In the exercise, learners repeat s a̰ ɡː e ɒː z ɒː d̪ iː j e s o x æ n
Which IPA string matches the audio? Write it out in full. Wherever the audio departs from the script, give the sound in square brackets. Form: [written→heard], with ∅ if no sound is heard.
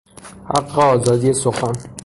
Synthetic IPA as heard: [s→h] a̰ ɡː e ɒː z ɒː d̪ [iː→i] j e s o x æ n